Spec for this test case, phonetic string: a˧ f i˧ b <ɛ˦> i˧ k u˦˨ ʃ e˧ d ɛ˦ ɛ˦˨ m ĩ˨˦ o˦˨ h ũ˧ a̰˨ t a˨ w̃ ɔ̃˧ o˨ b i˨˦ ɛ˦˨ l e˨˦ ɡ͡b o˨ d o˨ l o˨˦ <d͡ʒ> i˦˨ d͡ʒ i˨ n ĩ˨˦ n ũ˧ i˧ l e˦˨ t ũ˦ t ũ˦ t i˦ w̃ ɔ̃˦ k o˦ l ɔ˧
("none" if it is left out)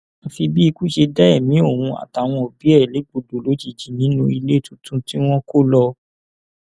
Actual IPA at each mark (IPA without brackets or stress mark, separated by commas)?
i˦, d͡ʒ